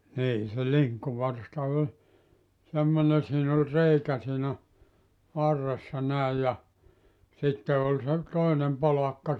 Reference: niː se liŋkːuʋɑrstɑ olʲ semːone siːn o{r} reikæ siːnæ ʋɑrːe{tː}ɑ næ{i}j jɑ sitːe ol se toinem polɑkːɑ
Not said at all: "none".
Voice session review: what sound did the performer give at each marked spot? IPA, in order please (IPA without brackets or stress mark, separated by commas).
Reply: l, sː, i